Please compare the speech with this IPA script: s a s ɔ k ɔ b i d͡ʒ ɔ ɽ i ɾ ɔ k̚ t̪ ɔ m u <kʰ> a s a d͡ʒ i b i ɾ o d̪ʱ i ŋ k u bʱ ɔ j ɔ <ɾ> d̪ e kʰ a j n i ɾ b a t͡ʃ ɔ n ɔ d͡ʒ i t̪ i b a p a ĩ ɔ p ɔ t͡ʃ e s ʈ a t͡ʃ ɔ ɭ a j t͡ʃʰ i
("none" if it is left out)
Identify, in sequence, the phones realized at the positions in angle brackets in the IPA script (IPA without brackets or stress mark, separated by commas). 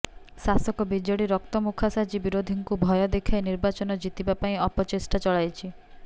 kʰ, none